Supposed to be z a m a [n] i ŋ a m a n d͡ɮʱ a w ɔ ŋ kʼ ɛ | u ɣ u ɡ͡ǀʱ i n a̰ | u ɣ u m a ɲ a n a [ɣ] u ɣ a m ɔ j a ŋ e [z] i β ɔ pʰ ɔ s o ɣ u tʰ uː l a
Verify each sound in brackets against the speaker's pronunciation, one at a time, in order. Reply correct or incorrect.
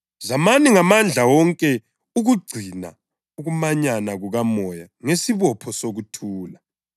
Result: correct, correct, incorrect

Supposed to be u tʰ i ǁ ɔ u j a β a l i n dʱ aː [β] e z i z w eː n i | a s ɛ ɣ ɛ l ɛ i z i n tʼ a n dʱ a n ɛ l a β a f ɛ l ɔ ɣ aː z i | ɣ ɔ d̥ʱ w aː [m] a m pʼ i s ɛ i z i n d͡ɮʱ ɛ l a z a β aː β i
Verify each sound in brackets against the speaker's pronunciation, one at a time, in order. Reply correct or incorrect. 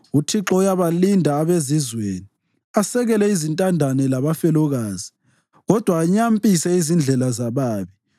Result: correct, incorrect

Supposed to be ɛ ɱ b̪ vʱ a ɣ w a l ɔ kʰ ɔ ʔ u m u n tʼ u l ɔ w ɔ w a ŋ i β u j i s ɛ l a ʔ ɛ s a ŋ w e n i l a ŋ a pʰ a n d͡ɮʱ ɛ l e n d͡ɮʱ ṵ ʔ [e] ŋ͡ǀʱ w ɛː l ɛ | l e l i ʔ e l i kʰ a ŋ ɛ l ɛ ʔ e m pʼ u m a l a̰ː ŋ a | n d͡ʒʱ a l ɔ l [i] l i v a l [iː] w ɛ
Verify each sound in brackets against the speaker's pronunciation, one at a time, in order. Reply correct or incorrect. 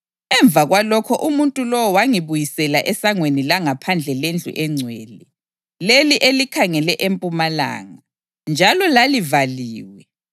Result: incorrect, incorrect, correct

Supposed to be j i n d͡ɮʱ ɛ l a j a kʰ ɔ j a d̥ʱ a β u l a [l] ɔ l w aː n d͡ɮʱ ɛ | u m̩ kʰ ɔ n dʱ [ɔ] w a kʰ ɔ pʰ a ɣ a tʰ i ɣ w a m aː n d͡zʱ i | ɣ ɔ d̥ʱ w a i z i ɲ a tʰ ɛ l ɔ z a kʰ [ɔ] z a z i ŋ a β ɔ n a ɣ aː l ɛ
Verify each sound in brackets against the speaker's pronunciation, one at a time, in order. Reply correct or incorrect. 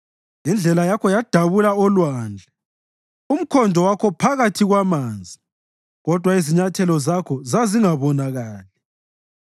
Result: incorrect, correct, correct

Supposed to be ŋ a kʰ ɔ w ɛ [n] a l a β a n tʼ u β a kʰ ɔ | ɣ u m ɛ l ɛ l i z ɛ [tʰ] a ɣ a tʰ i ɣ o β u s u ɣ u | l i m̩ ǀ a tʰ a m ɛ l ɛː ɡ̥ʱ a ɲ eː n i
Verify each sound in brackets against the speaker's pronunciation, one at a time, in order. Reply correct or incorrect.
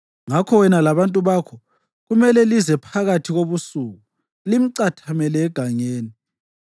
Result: correct, incorrect

